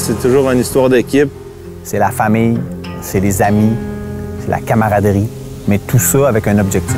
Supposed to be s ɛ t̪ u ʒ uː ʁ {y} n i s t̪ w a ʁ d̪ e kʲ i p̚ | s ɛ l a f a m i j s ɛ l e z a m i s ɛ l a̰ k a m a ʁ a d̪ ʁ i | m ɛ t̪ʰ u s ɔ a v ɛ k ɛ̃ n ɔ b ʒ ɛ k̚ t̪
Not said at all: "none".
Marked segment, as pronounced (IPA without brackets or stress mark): y